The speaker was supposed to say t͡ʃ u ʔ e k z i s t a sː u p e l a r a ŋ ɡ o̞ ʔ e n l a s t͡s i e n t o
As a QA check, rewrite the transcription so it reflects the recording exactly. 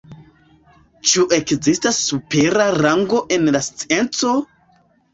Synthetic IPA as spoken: t͡ʃ u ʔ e k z i s t a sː u p e ɾ a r a ŋ ɡ o̞ ʔ e n l a s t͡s i e n t͡s o